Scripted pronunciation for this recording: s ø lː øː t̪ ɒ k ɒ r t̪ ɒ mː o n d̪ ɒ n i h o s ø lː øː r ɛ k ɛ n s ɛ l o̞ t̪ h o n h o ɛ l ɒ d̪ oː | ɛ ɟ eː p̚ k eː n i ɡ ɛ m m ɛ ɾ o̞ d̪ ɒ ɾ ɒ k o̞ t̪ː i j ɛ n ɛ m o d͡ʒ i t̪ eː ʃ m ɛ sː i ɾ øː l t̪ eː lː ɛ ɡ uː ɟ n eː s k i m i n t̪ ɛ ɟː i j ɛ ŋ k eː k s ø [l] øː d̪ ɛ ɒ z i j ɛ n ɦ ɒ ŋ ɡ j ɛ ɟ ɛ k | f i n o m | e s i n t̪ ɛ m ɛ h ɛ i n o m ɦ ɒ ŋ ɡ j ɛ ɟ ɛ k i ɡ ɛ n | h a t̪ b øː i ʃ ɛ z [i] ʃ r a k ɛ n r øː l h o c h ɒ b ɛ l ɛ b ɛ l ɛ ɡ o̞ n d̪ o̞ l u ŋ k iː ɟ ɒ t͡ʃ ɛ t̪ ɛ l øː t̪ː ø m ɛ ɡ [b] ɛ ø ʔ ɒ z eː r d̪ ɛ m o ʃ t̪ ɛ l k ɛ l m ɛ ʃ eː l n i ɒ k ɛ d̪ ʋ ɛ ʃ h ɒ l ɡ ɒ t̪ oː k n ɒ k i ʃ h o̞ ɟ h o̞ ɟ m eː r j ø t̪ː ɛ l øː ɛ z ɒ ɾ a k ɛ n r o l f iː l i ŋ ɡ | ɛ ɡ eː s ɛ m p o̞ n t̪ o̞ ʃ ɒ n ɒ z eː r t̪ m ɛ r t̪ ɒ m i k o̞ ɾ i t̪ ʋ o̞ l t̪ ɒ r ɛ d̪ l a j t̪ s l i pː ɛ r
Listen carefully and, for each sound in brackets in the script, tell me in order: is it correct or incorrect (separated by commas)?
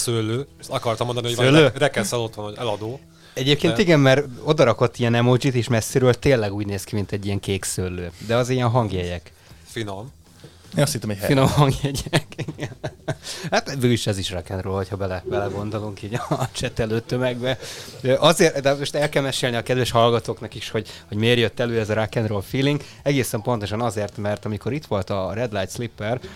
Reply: incorrect, correct, correct